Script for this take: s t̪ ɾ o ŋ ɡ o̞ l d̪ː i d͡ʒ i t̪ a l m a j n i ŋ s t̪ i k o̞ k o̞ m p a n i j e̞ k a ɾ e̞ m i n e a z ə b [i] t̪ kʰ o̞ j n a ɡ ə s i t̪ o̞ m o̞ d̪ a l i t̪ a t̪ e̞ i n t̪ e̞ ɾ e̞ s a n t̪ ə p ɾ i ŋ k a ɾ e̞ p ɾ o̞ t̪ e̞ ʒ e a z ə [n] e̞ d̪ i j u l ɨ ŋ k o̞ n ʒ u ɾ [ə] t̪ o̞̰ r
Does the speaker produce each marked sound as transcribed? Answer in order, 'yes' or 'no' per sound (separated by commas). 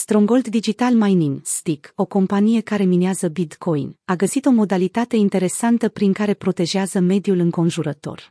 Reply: yes, no, yes